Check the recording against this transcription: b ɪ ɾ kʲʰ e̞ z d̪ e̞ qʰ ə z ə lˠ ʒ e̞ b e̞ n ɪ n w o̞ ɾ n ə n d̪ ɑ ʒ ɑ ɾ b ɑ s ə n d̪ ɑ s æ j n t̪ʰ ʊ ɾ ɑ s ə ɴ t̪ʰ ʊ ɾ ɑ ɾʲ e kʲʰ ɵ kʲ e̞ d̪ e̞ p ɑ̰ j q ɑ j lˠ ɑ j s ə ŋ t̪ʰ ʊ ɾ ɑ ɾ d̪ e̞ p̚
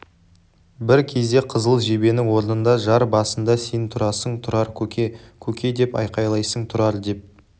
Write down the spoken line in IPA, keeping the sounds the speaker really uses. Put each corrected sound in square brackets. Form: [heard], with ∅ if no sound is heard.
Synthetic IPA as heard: b ɪ ɾ kʲʰ e̞ z d̪ e̞ qʰ ə z ə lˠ ʒ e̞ b e̞ n ɪ [ŋ] w o̞ ɾ n ə n d̪ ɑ ʒ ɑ ɾ b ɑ s ə n d̪ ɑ s [e] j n t̪ʰ ʊ ɾ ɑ s ə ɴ t̪ʰ ʊ ɾ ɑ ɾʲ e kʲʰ ɵ kʲ e̞ d̪ e̞ p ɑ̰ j q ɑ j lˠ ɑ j s ə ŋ t̪ʰ ʊ ɾ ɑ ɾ d̪ e̞ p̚